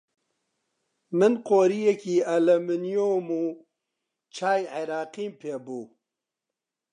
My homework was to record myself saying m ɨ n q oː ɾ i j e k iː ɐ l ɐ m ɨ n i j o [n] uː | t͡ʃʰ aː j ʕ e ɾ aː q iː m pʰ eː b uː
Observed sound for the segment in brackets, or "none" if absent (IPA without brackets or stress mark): m